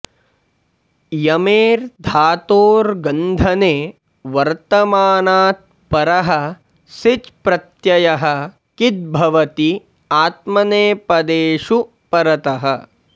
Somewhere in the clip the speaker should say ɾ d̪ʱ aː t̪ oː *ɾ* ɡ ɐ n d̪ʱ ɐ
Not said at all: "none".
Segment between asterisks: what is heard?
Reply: ɾ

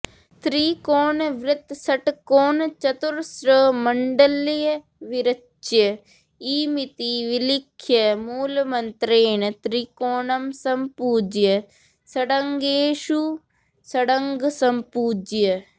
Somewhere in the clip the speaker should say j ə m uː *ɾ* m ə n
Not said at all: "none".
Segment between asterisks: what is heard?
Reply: l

